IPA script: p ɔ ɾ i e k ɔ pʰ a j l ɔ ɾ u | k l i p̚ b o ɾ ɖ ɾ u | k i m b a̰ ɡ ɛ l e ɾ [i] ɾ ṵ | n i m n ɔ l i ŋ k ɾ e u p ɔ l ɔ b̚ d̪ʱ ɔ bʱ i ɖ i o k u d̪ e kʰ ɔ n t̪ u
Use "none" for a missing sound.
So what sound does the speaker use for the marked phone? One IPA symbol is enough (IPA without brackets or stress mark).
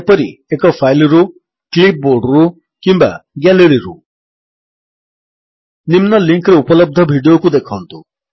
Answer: i